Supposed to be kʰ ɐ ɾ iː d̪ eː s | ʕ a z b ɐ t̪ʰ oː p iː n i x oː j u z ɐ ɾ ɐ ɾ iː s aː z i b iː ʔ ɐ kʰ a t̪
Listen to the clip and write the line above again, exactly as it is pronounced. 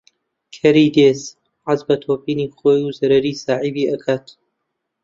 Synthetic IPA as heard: kʰ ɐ ɾ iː d̪ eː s | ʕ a z b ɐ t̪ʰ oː p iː n i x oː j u z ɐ ɾ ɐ ɾ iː s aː ʕ i b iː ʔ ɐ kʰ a t̪